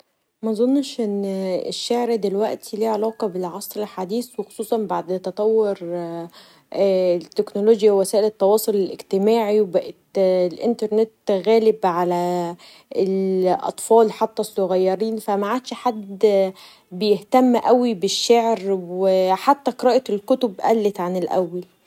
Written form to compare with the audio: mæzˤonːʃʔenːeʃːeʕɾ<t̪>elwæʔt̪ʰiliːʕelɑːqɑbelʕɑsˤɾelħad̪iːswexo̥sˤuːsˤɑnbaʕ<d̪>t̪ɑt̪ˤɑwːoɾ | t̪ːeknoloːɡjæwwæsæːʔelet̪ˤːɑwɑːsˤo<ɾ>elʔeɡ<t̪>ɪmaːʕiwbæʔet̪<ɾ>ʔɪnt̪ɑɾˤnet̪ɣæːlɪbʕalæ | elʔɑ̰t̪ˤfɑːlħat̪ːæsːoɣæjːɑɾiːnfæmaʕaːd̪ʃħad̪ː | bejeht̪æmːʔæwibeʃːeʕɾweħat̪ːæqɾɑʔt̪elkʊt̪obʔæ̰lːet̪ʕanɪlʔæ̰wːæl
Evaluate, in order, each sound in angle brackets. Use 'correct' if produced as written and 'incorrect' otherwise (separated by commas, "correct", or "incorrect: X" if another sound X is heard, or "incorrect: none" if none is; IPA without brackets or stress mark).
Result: incorrect: d̪, correct, incorrect: l, correct, incorrect: l